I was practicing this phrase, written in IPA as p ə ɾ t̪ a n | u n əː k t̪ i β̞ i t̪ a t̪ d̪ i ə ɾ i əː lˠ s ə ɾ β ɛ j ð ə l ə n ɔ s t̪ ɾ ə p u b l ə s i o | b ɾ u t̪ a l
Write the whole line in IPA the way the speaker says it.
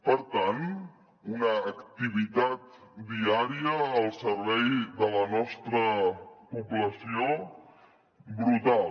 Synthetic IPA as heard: p ə ɾ t̪ a n | u n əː k t̪ i β̞ i t̪ a t̪ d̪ i a ɾ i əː lˠ s ə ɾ β ɛ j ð ə l ə n ɔ s t̪ ɾ ə p u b l ə s i o | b ɾ u t̪ a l